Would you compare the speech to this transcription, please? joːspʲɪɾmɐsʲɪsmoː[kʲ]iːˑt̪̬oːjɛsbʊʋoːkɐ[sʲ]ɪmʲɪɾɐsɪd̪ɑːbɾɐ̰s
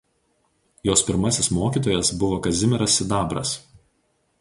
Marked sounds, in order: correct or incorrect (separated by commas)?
correct, incorrect